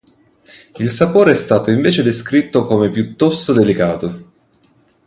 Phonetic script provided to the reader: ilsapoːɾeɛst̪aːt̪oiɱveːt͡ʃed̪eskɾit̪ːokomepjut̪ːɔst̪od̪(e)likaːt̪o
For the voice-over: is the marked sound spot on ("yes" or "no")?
yes